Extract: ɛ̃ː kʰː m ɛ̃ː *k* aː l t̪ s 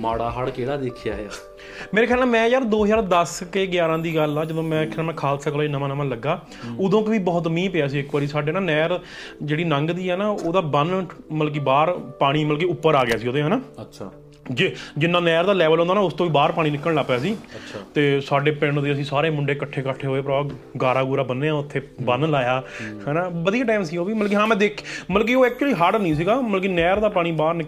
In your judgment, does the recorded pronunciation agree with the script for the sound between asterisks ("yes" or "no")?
no